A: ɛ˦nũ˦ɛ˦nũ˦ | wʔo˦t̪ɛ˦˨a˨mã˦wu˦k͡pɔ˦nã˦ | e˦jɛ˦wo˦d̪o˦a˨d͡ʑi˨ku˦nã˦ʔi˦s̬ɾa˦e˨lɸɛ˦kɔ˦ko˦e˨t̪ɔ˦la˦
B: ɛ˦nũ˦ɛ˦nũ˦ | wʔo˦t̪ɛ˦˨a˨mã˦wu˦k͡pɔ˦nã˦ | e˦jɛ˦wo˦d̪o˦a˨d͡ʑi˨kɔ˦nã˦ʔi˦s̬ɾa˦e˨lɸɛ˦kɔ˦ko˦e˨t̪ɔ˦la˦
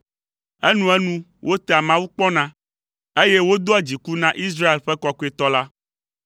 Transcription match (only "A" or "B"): A